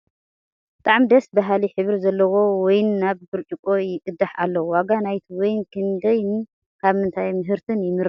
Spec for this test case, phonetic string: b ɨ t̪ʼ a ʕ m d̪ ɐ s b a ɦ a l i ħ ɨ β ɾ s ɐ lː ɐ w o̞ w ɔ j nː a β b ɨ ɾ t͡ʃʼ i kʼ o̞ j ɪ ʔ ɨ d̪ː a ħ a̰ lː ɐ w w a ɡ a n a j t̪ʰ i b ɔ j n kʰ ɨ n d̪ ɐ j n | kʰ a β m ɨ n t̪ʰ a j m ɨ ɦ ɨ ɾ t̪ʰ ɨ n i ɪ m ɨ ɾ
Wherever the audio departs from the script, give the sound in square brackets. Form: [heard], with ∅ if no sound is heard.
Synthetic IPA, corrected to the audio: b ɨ t̪ʼ a ʕ m d̪ ɐ s b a ɦ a l i ħ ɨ β ɾ [z] ɐ lː ɐ w o̞ w ɔ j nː a β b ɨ ɾ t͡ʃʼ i kʼ o̞ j ɪ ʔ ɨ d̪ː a ħ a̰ lː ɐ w w a ɡ a n a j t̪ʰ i [w] ɔ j n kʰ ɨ n d̪ ɐ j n | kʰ a β m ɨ n t̪ʰ a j m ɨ ɦ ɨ ɾ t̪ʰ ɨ n [j] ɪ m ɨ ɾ